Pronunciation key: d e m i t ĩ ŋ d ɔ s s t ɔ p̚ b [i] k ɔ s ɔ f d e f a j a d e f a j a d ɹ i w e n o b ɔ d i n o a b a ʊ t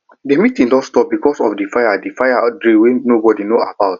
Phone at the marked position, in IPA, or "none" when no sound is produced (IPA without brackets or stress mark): i